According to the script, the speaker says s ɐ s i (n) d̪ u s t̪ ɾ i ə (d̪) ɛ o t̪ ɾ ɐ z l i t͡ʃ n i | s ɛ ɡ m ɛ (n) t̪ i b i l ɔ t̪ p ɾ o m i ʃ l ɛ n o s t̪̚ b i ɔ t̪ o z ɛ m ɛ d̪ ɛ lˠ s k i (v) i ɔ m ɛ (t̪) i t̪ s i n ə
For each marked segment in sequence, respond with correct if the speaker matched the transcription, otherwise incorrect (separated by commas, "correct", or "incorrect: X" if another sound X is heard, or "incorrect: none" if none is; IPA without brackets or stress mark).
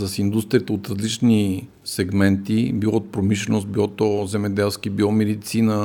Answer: correct, incorrect: t̪, correct, incorrect: b, incorrect: d̪